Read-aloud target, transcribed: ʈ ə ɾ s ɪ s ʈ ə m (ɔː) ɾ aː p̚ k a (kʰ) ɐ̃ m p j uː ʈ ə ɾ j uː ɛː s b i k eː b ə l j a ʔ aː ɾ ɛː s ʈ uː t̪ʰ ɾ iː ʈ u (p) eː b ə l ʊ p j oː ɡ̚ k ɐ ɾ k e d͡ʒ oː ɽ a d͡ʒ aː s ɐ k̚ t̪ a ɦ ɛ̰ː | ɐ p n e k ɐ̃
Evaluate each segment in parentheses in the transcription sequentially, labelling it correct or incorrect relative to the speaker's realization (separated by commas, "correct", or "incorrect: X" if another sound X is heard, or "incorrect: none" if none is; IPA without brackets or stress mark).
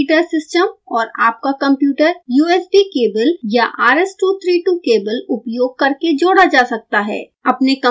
correct, incorrect: k, incorrect: k